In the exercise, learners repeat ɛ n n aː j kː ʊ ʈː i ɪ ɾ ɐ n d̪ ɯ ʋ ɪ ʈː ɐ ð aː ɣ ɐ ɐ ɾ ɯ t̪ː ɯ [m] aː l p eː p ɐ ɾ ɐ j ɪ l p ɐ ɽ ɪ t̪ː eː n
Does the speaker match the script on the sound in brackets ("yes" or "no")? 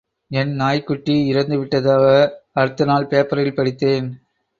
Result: no